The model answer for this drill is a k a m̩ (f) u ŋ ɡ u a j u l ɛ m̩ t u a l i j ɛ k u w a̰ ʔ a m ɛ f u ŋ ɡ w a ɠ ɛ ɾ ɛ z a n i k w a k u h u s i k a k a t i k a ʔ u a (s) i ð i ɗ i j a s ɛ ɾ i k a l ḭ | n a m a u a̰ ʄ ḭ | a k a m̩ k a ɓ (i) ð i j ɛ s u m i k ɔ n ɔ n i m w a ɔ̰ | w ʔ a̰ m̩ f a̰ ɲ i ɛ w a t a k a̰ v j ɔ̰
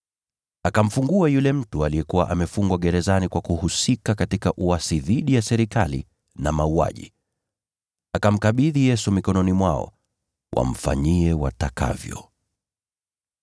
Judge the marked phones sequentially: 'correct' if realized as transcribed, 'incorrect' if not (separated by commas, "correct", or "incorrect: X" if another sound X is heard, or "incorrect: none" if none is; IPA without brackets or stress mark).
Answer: correct, correct, correct